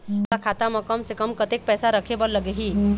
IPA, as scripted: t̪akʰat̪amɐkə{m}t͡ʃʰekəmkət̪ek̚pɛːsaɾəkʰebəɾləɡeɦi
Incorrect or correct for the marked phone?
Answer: correct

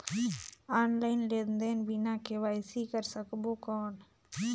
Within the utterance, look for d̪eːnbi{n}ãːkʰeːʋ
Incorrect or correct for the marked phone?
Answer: correct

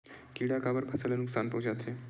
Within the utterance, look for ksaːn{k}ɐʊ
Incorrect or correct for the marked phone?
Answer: incorrect: p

